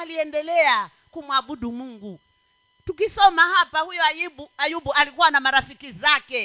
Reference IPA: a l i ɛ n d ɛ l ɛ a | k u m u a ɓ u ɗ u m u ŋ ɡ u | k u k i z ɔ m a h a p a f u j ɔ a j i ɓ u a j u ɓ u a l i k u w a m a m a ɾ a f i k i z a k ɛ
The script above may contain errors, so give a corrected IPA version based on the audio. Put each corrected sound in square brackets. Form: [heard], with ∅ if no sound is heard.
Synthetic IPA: a l i ɛ n d ɛ l ɛ a | k u m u a ɓ u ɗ u m u ŋ ɡ u | [t] u k i [s] ɔ m a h a p a [h] u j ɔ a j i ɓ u a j u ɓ u a l i k u w a [n] a m a ɾ a f i k i z a k ɛ